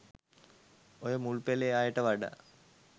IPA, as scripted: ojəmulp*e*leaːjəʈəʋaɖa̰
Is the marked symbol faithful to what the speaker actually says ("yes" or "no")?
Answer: yes